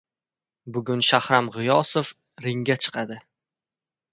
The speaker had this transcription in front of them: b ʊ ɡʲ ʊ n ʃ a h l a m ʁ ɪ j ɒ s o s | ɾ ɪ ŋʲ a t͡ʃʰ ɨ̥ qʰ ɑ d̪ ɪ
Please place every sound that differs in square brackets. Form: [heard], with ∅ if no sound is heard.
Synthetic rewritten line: b ʊ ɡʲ ʊ n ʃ a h [ɾ] a m ʁ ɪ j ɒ s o [f] | ɾ ɪ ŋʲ a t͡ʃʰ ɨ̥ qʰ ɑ d̪ ɪ